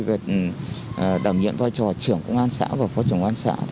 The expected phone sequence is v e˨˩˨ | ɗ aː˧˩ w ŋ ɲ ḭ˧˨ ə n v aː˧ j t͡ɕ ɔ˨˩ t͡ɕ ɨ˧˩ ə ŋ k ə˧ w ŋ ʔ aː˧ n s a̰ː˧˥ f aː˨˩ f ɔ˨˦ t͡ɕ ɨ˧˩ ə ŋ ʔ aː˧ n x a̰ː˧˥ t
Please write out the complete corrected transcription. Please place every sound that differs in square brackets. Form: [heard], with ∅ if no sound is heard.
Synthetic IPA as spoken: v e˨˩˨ | ɗ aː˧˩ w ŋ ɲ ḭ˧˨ ə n v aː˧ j t͡ɕ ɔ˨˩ t͡ɕ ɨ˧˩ ə ŋ k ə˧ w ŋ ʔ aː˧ n s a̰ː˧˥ [v] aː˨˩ f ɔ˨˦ t͡ɕ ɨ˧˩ ə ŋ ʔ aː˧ n [s] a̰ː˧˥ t